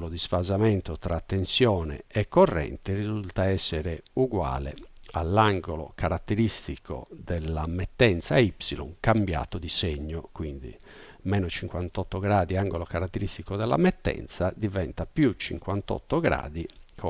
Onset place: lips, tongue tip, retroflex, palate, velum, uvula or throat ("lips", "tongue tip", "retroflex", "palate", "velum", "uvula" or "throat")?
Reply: tongue tip